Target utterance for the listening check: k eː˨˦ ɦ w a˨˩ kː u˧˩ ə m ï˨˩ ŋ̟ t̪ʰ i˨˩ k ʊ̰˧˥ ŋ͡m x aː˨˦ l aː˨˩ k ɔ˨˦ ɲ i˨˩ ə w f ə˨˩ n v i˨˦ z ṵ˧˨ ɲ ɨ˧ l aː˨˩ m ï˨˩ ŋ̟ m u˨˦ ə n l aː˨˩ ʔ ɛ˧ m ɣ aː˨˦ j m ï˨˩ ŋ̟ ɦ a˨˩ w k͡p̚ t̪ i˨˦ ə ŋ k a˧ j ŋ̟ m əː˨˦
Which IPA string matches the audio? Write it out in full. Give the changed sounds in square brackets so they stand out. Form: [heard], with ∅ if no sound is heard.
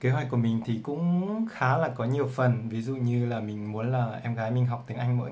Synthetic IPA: k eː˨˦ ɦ w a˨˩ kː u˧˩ ə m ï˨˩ ŋ̟ t̪ʰ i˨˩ k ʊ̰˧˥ ŋ͡m x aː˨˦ l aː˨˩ k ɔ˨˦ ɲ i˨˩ ə w f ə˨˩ n v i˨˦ z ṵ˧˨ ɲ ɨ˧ l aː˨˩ m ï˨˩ ŋ̟ m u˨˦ ə n l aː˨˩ ʔ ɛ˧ m ɣ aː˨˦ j m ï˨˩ ŋ̟ ɦ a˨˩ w k͡p̚ t̪ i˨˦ ə ŋ [ʔ] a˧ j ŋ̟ m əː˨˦